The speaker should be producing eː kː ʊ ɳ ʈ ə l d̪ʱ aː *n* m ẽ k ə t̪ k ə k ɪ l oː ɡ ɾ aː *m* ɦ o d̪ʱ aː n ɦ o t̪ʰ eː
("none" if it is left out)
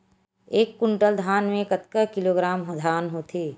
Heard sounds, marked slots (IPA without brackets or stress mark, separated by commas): n, m